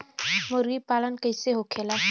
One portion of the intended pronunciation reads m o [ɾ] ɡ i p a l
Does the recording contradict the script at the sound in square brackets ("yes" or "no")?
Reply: no